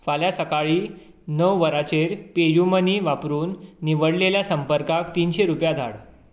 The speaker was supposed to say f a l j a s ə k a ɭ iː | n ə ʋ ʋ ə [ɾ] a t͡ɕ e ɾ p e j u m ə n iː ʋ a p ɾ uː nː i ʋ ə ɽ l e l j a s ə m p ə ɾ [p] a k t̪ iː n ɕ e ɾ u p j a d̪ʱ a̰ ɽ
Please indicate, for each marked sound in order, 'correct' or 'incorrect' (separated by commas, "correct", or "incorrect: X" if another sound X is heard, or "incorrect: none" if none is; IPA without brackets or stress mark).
correct, incorrect: k